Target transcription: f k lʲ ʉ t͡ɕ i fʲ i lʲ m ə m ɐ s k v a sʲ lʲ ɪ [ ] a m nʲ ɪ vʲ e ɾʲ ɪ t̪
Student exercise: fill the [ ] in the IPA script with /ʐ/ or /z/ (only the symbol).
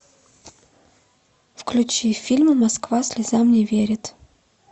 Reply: z